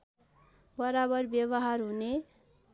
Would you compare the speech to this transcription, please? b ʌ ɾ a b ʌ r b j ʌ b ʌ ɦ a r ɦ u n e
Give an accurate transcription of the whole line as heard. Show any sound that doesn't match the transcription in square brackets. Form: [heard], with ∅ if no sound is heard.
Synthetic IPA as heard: b ʌ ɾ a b ʌ r b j ʌ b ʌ ɦ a r ɦ u n e

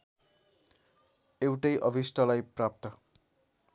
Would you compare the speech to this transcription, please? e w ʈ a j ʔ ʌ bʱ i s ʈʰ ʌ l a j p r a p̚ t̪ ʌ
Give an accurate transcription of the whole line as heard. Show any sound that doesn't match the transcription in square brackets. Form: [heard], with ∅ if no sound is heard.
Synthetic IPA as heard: e w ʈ [ʌ] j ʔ ʌ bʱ i s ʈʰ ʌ l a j p r a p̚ t̪ ʌ

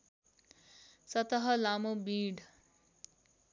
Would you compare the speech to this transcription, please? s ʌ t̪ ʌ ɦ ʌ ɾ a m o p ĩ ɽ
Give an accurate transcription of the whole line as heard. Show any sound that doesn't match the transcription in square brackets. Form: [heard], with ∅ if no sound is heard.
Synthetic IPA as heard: s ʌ t̪ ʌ ɦ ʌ [l] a m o [b] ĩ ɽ

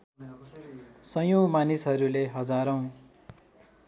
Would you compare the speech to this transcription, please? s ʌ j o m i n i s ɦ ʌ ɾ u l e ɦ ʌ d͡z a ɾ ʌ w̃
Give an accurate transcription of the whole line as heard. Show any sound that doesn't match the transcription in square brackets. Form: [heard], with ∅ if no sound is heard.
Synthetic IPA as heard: s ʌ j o m [a] n i s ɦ ʌ ɾ u l e ɦ ʌ d͡z a ɾ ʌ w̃

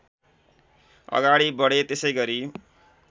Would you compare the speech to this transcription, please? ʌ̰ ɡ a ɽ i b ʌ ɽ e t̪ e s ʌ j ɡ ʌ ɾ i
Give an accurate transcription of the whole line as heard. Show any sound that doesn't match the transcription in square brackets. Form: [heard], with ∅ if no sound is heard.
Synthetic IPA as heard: ʌ̰ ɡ a ɽ i b ʌ ɽ e t̪ e s ʌ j ɡ ʌ ɾ i

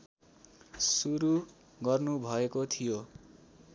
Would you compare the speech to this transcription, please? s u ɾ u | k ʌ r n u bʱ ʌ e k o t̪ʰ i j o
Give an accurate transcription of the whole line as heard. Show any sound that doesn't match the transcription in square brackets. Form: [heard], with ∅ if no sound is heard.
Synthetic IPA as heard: s u ɾ u | [ɡ] ʌ r n u bʱ ʌ e k o t̪ʰ i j o

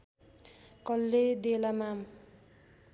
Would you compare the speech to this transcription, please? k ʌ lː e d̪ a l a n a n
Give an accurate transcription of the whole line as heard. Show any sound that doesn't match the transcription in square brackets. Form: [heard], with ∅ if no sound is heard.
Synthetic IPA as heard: k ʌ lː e d̪ [e] l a [m] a [m]

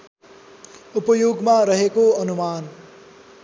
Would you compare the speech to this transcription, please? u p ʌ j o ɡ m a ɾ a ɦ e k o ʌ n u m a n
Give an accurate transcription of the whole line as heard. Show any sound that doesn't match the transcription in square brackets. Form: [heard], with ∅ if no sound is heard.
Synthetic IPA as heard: u p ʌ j o ɡ m a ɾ [ʌ] ɦ e k o ʌ n u m a n

